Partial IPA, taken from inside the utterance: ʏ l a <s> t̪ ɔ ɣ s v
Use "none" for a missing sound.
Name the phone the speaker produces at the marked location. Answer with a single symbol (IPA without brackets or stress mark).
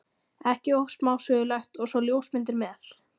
x